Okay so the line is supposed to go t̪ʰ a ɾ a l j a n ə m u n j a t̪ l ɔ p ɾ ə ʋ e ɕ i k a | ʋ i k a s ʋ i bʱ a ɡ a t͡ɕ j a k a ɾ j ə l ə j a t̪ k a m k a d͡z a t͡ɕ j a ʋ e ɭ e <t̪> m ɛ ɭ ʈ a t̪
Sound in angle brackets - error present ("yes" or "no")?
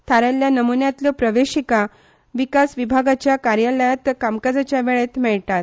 no